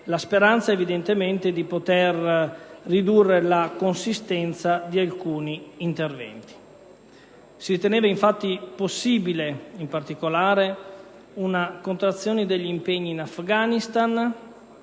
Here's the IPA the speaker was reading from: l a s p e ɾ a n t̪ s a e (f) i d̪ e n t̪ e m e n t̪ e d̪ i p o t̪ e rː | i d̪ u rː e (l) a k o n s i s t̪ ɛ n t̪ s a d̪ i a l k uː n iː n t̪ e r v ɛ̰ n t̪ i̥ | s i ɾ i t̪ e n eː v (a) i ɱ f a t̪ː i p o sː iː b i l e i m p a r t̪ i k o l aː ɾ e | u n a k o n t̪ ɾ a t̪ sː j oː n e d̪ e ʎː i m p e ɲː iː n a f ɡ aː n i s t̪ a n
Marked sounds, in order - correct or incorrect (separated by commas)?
incorrect, correct, correct